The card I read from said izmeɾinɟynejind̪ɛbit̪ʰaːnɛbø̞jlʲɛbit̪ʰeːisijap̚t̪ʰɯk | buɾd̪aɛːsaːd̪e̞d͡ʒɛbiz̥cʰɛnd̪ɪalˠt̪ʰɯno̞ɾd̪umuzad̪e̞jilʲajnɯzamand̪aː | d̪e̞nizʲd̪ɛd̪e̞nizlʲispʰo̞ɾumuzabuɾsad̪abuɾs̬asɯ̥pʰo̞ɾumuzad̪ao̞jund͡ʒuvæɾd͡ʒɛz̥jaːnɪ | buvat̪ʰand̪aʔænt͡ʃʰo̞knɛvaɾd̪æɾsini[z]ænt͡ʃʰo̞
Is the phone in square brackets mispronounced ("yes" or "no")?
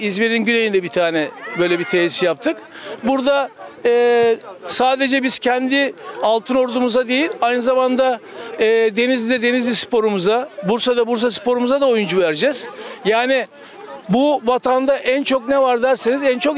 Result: no